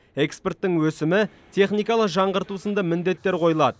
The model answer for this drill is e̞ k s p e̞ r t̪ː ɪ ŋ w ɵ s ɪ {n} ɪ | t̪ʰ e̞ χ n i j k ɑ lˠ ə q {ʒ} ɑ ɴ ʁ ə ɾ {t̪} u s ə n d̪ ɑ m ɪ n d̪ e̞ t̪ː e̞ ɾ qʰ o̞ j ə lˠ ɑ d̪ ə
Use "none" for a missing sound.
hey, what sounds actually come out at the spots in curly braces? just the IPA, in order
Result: m, ʒ, t̪

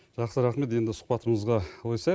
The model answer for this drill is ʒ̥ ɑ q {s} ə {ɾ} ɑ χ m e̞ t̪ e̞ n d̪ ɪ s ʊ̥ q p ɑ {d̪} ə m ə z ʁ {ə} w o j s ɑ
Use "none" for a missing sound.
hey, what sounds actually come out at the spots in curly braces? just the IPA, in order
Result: s, ɾ, t̪, ɑ

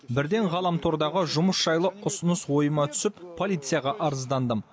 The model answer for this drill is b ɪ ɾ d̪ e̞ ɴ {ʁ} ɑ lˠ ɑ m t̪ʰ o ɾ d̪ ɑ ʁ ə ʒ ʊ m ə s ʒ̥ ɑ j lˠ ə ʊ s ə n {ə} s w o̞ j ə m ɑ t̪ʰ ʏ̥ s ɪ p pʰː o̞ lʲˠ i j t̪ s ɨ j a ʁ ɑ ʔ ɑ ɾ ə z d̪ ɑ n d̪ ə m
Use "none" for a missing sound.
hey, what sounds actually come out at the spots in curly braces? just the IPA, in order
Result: ʁ, ə

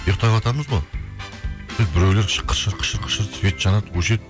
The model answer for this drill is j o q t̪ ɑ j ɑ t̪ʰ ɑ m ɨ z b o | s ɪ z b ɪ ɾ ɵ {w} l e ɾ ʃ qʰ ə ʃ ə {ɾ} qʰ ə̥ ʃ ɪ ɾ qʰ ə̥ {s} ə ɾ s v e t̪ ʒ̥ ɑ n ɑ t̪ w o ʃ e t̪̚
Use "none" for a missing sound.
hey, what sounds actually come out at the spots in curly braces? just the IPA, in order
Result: w, ɾ, ʃ

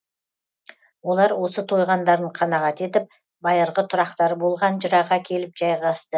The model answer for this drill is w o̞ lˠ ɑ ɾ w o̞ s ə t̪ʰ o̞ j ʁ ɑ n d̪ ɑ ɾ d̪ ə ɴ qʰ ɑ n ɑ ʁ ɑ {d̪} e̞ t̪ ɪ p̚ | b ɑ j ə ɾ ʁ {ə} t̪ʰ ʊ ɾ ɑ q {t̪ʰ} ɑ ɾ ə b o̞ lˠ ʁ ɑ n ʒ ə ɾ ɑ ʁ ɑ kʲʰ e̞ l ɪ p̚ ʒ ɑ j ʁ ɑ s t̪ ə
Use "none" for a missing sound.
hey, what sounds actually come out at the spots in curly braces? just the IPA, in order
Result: t̪, ə, t̪

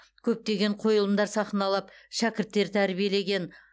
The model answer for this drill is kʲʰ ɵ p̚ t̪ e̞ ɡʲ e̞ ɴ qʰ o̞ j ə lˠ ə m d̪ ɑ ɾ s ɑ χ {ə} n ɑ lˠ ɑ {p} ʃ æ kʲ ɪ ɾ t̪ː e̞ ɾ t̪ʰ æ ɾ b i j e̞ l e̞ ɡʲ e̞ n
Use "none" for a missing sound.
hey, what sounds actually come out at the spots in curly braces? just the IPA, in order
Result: ə, p

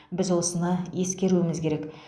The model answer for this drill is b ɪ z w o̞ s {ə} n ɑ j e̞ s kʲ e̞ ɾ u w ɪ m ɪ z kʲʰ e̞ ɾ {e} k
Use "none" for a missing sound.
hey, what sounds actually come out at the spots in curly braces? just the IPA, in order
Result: ə, e

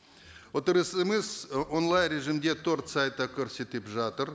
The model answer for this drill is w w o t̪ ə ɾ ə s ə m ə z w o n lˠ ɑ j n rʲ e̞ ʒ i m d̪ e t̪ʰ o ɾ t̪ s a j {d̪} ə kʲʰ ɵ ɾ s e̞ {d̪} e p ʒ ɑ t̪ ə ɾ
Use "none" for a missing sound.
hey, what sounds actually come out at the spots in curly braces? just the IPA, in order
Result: t̪, t̪

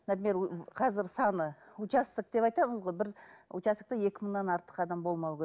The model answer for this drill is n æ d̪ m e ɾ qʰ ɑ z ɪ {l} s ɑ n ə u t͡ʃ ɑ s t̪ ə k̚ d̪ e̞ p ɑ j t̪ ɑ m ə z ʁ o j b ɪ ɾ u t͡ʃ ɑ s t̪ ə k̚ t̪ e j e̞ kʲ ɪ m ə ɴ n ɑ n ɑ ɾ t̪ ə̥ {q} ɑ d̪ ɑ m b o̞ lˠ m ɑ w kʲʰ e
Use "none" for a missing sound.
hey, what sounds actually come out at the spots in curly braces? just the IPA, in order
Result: ɾ, q

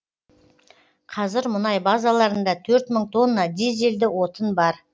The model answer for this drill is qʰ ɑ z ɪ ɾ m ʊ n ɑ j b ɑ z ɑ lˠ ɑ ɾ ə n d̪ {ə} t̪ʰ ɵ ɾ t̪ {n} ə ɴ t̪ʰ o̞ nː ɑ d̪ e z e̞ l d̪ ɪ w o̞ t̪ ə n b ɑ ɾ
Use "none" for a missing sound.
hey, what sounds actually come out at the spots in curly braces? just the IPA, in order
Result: ɑ, m

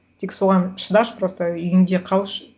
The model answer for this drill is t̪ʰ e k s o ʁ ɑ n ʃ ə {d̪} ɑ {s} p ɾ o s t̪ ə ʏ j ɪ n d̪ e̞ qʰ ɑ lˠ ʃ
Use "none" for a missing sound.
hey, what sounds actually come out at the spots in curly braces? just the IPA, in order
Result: d̪, ʃ

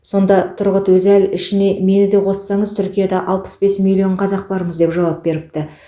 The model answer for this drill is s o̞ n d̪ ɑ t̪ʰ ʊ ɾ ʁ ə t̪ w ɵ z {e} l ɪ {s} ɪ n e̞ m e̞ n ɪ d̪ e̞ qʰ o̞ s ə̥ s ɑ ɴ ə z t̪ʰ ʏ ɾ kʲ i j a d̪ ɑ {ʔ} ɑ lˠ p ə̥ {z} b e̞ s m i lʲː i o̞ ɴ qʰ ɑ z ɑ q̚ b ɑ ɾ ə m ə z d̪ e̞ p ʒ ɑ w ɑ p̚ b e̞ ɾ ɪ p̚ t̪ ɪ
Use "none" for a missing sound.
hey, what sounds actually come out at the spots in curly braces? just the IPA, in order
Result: æ, ʃ, ʔ, s

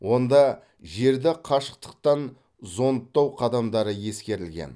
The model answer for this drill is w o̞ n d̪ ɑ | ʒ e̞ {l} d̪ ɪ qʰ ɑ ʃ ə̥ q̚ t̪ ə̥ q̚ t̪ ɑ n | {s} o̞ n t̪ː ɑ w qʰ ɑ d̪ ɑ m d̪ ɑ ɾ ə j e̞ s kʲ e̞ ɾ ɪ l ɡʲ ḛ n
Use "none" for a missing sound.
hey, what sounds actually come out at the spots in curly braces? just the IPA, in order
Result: ɾ, z

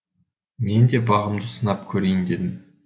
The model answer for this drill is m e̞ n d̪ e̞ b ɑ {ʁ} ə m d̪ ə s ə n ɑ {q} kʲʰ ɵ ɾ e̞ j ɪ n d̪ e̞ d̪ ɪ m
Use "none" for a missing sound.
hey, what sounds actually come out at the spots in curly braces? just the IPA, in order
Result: ʁ, p

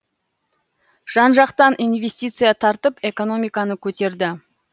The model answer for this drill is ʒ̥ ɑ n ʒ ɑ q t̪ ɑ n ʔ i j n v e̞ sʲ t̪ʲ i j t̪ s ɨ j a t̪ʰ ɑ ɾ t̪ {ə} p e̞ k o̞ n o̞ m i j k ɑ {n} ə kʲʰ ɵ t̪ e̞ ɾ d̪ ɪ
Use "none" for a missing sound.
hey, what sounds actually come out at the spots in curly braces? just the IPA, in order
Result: ə, n

